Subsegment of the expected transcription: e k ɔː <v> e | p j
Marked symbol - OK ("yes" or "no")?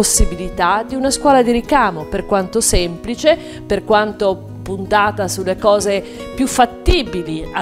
no